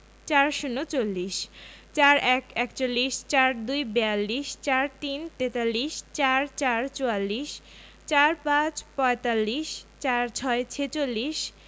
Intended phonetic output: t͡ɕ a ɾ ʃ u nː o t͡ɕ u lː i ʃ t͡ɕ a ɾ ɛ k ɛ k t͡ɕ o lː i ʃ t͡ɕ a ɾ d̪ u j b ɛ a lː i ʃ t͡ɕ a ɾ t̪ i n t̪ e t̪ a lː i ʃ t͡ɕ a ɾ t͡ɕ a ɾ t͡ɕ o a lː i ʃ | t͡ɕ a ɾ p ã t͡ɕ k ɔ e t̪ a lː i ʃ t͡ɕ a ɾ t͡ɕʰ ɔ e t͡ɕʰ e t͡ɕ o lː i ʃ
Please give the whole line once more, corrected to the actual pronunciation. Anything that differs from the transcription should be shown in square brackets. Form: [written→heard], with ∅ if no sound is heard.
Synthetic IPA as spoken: t͡ɕ a ɾ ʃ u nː o t͡ɕ [u→o] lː i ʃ t͡ɕ a ɾ ɛ k ɛ k t͡ɕ o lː i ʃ t͡ɕ a ɾ d̪ u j b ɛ a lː i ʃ t͡ɕ a ɾ t̪ i n t̪ e t̪ a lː i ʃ t͡ɕ a ɾ t͡ɕ a ɾ t͡ɕ o a lː i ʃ | t͡ɕ a ɾ p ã t͡ɕ [k→p] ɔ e t̪ a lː i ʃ t͡ɕ a ɾ t͡ɕʰ ɔ e t͡ɕʰ e t͡ɕ o lː i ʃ